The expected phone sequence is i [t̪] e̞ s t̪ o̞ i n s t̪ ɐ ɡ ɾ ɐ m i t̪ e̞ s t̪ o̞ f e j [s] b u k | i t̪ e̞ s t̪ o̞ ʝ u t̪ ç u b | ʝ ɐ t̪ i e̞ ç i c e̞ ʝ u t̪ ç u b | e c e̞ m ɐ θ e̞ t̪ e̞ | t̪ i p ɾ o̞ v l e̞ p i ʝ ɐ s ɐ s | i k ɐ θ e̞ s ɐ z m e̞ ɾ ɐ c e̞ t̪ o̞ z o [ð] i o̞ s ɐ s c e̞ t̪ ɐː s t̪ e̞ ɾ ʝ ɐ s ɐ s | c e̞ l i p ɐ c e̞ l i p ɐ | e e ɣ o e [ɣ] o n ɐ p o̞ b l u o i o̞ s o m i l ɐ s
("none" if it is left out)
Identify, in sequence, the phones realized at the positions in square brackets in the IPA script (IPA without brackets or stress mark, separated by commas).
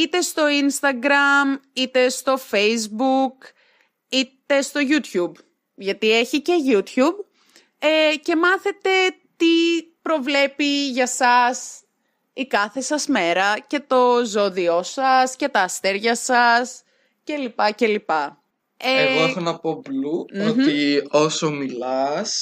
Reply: t̪, z, ð, x